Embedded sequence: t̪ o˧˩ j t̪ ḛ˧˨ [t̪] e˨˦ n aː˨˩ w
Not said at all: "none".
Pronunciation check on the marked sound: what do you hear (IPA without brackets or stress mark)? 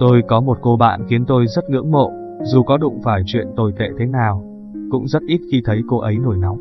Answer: t̪ʰ